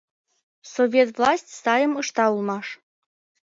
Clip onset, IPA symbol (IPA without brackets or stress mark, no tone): s